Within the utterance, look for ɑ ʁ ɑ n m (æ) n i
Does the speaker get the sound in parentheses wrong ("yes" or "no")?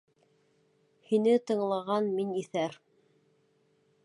yes